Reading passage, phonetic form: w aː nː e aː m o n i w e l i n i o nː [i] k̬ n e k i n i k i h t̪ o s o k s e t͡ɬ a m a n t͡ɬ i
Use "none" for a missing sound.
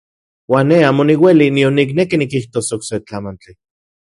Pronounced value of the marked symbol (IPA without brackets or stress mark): i